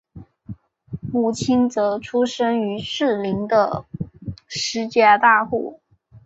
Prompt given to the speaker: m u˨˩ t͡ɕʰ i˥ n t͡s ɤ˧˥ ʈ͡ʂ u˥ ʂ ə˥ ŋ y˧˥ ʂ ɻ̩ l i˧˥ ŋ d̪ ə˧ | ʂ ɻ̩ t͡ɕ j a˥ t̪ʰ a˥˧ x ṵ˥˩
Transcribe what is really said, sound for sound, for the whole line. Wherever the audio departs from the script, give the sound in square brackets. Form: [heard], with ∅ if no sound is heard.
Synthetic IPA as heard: m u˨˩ t͡ɕʰ i˥ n t͡s ɤ˧˥ [ʈ͡ʂʰ] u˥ ʂ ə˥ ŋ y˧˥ ʂ ɻ̩ l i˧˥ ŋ d̪ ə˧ | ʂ ɻ̩ t͡ɕ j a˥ [t̪] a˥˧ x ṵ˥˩